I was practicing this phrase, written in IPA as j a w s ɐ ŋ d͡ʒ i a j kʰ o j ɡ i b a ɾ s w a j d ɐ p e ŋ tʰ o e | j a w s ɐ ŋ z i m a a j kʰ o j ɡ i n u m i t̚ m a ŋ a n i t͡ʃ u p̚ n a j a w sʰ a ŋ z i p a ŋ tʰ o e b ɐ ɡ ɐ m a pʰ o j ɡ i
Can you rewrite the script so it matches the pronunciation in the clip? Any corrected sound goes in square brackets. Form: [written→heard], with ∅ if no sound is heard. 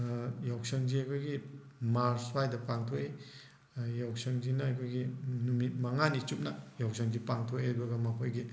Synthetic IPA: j a w s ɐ ŋ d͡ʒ i a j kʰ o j ɡ i [b→m] a ɾ s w a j d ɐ p [e→a] ŋ tʰ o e | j a w s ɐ ŋ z i [m→n] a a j kʰ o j ɡ i n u m i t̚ m a ŋ a n i t͡ʃ u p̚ n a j a w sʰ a ŋ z i p a ŋ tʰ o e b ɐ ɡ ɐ m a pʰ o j ɡ i